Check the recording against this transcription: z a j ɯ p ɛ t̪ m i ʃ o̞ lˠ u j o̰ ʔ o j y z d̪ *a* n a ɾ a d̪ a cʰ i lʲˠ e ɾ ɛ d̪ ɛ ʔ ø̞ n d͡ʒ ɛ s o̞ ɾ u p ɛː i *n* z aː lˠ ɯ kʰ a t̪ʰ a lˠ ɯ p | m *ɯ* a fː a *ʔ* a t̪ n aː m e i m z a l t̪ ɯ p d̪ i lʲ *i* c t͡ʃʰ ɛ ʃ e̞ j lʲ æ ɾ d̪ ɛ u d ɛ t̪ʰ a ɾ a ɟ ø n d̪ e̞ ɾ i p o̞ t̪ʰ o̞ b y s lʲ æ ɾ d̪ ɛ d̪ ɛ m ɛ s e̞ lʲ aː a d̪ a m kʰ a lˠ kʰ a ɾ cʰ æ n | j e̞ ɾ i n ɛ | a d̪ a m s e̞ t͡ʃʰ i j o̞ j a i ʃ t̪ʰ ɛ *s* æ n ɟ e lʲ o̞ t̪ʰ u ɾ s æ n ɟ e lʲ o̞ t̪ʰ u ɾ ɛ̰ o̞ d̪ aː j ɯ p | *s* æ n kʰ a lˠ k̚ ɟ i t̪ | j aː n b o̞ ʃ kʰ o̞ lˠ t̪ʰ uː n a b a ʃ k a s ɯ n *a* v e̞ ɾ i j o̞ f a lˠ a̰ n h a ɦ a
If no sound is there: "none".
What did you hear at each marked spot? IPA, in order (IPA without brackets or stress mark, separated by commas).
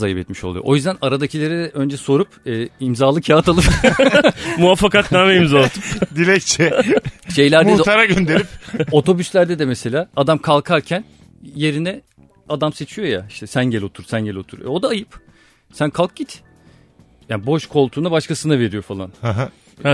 æ, m, u, k, ɛ, s, s, a